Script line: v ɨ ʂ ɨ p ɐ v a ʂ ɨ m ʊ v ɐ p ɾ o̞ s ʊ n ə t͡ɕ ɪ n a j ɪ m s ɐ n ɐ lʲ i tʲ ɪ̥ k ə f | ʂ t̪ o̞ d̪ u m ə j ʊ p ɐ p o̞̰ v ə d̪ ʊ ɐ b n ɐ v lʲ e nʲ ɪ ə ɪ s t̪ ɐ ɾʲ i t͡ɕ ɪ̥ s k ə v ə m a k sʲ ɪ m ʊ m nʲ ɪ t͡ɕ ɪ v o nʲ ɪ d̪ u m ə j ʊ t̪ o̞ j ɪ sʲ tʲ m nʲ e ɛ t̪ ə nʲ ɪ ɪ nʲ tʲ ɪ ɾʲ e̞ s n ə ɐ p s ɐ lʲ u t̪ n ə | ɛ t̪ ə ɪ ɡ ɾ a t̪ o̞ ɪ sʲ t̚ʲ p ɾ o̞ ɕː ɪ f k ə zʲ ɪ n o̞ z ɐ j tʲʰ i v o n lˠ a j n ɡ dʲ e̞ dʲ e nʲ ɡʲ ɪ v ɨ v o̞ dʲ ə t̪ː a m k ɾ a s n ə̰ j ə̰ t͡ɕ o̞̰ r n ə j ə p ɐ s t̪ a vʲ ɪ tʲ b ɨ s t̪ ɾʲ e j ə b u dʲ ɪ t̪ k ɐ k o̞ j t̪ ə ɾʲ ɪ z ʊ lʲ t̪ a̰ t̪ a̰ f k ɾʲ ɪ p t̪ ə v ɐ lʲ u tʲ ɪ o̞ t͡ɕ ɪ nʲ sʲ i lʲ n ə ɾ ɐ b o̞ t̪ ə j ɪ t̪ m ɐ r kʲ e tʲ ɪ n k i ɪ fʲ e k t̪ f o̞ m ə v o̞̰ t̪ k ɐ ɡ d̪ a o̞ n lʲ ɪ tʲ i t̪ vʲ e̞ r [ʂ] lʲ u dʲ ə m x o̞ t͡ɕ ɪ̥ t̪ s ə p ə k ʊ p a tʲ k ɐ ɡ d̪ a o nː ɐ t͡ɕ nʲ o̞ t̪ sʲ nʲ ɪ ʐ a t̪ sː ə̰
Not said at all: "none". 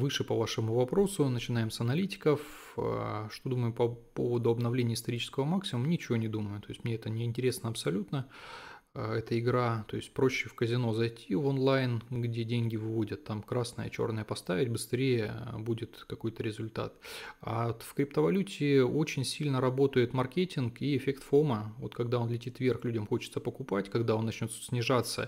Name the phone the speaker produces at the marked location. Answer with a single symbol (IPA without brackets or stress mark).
x